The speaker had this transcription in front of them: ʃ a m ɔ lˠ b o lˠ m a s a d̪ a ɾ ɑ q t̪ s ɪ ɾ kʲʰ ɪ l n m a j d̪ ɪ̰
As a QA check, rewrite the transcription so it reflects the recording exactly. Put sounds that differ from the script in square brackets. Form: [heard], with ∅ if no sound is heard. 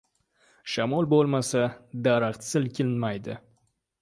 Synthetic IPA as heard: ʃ a m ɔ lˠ b o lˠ m a s a d̪ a ɾ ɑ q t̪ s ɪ [l] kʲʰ ɪ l n m a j d̪ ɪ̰